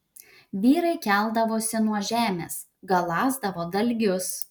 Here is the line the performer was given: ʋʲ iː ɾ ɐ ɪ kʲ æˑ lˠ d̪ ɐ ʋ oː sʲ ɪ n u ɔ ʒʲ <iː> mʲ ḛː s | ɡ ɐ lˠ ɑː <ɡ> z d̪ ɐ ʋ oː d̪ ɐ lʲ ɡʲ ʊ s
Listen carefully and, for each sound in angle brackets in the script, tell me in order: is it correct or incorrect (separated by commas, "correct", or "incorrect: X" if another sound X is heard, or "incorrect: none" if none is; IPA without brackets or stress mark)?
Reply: incorrect: æː, incorrect: none